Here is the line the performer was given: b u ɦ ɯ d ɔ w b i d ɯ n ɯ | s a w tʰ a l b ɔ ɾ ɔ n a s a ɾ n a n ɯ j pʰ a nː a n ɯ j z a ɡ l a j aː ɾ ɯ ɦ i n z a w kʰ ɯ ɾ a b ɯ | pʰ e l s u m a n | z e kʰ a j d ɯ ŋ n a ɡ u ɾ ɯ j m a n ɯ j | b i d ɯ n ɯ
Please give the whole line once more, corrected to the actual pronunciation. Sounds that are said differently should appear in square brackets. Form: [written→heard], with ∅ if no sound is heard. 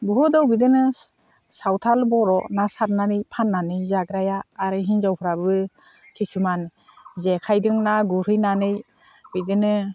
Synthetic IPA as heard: b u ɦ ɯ d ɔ w b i d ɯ n ɯ | s a w tʰ a l b ɔ ɾ ɔ n a s a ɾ n a n ɯ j pʰ a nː a n ɯ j z a ɡ [l→ɾ] a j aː ɾ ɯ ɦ i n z a w [kʰ→pʰ] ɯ ɾ a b ɯ | [pʰ→kʰ] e [l→∅] s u m a n | z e kʰ a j d ɯ ŋ n a ɡ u ɾ ɯ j [m→n] a n ɯ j | b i d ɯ n ɯ